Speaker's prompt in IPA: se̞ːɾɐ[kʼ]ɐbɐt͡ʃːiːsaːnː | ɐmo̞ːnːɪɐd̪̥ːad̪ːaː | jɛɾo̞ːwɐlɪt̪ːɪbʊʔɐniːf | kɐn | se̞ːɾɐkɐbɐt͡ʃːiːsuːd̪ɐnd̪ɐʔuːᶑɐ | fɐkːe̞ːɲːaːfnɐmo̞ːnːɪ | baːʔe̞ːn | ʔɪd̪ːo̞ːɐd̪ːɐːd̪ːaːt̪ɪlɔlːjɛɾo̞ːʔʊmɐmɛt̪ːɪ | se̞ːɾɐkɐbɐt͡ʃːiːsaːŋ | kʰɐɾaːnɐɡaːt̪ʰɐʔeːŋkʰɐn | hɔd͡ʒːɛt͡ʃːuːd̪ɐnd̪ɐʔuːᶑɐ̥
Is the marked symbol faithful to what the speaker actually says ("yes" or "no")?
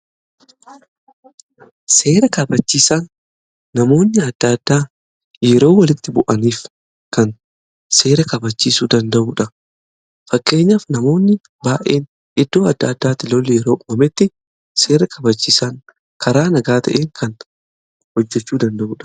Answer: no